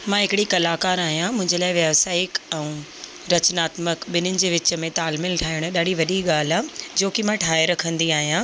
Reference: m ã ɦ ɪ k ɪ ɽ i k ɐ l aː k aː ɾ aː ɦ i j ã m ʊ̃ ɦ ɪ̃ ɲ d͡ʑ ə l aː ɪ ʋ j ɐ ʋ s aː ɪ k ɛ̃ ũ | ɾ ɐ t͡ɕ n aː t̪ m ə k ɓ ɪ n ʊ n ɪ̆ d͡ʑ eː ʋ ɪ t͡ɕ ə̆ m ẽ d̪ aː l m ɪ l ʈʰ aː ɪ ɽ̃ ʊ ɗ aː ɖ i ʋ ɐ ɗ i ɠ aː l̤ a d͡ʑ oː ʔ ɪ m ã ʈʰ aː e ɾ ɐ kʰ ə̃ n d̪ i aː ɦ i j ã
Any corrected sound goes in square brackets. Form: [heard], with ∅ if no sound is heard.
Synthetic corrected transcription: m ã ɦ ɪ k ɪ ɽ i k ɐ l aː k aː ɾ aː ɦ i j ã m ʊ̃ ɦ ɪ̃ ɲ d͡ʑ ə l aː ɪ ʋ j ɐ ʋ s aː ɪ k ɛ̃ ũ | ɾ ɐ t͡ɕ n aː t̪ m ə k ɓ ɪ n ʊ n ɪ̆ d͡ʑ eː ʋ ɪ t͡ɕ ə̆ m ẽ [t̪] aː l m ɪ l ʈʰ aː ɪ ɽ̃ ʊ ɗ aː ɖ i ʋ ɐ ɗ i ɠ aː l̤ a d͡ʑ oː [k] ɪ m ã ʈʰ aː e ɾ ɐ kʰ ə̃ n d̪ i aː ɦ i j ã